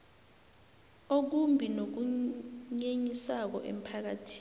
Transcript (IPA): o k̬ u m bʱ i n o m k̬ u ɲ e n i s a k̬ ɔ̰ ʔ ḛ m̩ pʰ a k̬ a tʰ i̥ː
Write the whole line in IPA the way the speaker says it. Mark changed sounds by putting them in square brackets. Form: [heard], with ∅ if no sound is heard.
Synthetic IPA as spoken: o k̬ u m bʱ i n o [∅] k̬ u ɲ e [ɲ] i s a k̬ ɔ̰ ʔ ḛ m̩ pʰ a k̬ a tʰ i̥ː